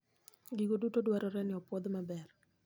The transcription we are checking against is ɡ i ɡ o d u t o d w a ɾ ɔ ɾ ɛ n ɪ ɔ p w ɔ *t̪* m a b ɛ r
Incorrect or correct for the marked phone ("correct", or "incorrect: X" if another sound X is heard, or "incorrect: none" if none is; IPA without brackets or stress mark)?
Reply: incorrect: d̪